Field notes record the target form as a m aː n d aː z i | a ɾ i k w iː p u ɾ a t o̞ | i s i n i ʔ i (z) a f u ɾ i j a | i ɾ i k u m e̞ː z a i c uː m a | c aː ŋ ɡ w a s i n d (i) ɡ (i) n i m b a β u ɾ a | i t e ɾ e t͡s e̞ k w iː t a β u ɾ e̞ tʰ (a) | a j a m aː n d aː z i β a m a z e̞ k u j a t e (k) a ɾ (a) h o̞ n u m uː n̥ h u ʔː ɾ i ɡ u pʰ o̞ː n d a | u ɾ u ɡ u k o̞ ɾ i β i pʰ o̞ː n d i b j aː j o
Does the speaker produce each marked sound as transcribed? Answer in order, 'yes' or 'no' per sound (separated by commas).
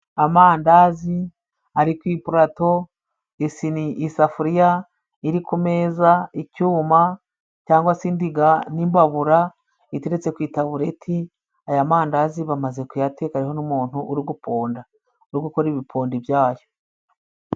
no, yes, no, no, yes, no